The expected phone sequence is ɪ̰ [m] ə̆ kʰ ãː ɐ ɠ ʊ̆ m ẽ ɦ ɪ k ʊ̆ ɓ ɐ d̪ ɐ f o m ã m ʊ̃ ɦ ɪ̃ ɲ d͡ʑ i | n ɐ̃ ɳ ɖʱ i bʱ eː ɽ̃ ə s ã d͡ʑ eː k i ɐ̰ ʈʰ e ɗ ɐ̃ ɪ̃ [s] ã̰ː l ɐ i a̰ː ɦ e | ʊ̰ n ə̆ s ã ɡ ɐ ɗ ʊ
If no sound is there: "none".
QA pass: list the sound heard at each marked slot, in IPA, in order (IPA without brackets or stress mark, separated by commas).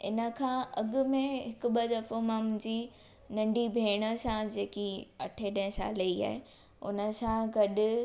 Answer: n, s